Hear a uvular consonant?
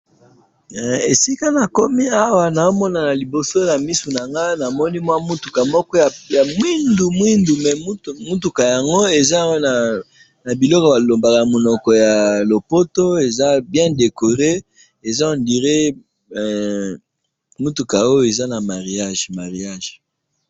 yes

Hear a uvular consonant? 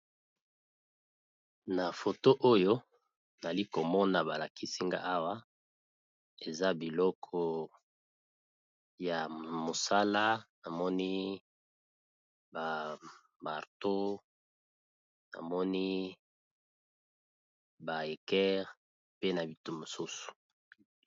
yes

